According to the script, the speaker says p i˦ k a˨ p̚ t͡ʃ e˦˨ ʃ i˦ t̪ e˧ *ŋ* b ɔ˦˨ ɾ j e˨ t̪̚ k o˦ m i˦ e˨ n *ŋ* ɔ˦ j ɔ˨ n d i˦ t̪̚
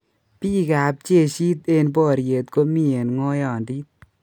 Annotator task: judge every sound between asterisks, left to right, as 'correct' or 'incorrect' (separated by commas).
incorrect, correct